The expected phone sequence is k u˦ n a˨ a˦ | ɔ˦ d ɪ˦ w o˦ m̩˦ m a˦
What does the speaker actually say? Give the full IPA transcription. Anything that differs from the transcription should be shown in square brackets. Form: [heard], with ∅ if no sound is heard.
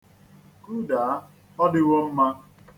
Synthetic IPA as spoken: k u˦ [d] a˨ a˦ | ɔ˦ d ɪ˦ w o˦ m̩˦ m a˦